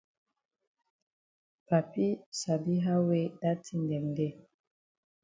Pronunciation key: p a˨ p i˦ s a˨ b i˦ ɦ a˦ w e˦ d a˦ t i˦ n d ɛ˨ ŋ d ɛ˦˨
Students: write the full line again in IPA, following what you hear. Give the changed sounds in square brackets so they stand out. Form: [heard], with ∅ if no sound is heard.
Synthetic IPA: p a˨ p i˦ s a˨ b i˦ ɦ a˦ w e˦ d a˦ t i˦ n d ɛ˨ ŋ d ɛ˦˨